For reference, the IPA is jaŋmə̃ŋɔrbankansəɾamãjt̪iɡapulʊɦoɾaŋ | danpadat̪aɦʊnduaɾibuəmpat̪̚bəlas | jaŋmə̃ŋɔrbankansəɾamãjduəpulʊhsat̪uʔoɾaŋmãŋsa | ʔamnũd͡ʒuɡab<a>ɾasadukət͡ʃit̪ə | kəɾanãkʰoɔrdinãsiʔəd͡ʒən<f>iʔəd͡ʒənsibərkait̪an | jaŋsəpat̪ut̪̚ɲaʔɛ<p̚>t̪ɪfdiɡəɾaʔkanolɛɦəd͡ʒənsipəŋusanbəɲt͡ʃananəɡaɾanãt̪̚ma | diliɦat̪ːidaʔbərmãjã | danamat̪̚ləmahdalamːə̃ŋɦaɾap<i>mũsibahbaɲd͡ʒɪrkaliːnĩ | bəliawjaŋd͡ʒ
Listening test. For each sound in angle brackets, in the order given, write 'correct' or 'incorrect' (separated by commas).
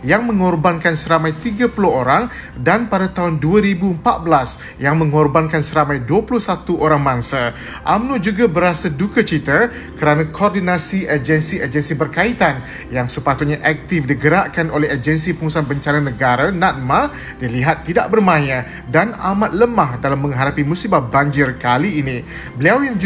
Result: incorrect, incorrect, incorrect, correct